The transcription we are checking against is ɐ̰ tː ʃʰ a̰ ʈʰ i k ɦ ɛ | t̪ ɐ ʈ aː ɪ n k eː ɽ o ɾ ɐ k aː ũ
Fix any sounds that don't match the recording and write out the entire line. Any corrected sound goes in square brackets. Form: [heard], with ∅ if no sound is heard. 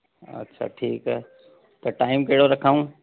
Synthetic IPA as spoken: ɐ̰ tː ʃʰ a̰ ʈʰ [iː] k ɦ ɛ | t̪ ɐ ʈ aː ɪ [m] k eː ɽ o ɾ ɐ [kʰ] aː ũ